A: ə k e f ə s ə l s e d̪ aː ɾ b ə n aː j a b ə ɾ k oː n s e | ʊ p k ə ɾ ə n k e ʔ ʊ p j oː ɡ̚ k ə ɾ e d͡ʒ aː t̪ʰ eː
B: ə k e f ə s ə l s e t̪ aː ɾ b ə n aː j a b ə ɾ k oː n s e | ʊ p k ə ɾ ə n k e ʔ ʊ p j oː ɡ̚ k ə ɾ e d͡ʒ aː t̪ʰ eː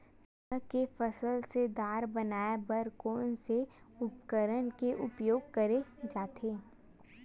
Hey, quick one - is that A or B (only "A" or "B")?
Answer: A